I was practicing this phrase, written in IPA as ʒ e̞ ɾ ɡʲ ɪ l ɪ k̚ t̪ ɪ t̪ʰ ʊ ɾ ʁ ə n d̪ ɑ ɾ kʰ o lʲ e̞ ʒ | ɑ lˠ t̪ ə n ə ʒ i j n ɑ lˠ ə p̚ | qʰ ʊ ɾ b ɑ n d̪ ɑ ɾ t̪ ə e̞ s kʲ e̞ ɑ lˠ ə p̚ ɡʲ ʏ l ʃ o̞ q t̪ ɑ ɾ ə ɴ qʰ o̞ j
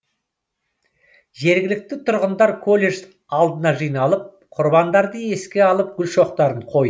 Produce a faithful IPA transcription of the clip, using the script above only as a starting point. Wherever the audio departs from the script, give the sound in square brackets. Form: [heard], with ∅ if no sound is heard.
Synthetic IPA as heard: ʒ e̞ ɾ ɡʲ ɪ l ɪ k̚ t̪ ɪ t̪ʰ ʊ ɾ ʁ ə n d̪ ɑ ɾ kʰ o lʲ e̞ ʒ | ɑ lˠ [d̪] ə n [ɑ] ʒ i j n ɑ lˠ ə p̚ | qʰ ʊ ɾ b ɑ n d̪ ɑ ɾ [d̪] ə e̞ s kʲ e̞ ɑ lˠ ə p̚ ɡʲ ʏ l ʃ o̞ q t̪ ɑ ɾ ə ɴ qʰ o̞ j